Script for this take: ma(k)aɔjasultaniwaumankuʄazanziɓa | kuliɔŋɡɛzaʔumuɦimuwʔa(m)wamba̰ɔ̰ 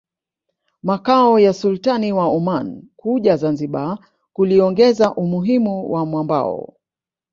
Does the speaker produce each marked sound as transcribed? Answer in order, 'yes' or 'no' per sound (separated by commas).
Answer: yes, yes